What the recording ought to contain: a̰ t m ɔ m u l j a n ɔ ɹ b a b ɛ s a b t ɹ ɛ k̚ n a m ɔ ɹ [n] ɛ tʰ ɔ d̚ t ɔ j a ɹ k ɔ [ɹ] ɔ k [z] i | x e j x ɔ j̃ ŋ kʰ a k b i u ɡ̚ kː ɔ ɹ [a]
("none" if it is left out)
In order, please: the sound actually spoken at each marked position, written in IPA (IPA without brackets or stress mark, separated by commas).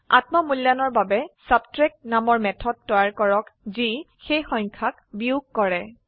m, ɹ, z, ɛ